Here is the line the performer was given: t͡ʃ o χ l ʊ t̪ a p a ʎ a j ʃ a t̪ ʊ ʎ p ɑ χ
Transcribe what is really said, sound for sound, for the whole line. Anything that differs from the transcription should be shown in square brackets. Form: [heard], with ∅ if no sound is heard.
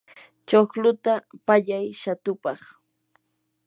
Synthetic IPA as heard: t͡ʃ o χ l ʊ t̪ a p a ʎ a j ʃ a t̪ ʊ [∅] p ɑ χ